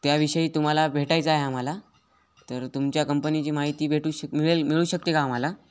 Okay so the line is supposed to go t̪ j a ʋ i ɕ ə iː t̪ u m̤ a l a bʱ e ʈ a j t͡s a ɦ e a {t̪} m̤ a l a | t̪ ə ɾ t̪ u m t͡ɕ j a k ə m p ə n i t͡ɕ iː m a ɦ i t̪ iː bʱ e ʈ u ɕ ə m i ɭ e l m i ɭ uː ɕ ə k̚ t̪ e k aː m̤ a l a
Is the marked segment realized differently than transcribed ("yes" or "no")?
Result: yes